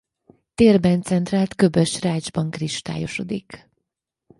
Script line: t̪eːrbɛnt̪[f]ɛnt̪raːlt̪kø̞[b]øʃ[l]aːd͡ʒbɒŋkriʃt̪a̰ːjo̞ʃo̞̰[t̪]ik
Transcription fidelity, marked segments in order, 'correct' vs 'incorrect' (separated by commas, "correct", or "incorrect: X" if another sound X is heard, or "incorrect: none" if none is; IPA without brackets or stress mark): incorrect: s, correct, incorrect: r, incorrect: d̪